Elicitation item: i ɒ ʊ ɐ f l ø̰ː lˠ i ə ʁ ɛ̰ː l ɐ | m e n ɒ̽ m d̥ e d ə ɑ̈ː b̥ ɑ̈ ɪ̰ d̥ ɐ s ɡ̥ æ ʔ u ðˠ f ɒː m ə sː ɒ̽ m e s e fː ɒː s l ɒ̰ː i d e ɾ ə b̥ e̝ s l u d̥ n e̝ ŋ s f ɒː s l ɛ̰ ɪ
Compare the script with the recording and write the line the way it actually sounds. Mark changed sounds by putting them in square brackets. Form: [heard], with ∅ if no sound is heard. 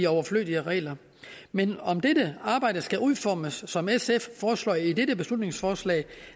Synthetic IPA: i ɒ ʊ ɐ f l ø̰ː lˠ i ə ʁ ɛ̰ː l ɐ | m e n ɒ̽ m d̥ e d ə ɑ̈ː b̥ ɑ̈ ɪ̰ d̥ [ə] s ɡ̥ æ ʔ u ðˠ f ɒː m ə sː ɒ̽ m e s e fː ɒː s l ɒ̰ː i d e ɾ ə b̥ e̝ s l u d̥ n e̝ ŋ s f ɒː s l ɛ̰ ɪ